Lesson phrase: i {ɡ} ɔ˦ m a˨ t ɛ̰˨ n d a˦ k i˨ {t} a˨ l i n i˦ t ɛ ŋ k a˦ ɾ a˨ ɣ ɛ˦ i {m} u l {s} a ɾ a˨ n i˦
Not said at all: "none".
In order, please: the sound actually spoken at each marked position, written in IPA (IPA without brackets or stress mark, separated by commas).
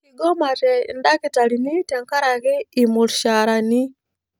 ɡ, t, m, ʃ